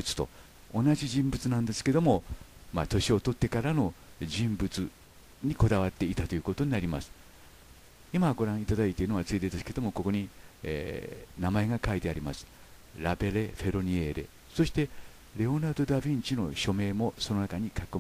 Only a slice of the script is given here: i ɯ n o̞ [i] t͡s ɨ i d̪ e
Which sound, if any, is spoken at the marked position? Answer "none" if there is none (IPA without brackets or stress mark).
a